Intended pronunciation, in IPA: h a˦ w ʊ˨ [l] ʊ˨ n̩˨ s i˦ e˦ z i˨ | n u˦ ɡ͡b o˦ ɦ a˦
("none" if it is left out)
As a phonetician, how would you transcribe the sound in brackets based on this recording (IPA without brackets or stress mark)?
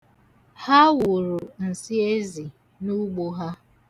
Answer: ɾ